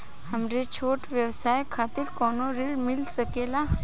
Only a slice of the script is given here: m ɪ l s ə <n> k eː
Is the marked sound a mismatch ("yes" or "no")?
yes